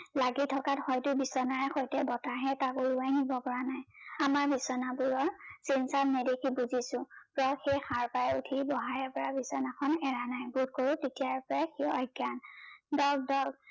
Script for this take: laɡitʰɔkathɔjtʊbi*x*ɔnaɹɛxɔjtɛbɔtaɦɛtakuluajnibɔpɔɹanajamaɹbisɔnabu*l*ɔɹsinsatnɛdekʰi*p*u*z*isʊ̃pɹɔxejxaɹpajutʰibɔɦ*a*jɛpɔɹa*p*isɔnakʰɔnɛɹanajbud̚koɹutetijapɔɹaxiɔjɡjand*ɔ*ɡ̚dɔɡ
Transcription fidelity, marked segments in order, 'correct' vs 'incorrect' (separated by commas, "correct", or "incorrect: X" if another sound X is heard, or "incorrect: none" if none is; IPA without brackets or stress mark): incorrect: s, incorrect: ɹ, incorrect: b, correct, correct, incorrect: b, correct